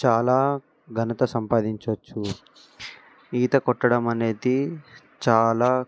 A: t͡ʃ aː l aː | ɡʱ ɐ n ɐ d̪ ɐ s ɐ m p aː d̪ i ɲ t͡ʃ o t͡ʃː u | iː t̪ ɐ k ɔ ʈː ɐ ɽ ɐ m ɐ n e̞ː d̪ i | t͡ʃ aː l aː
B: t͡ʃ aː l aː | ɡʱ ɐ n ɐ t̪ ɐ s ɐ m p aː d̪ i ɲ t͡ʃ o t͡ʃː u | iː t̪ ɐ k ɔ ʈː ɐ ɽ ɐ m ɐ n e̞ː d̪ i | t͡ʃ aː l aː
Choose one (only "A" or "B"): B